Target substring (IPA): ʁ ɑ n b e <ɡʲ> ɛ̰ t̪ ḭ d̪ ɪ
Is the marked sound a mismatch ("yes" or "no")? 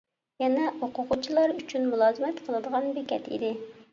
yes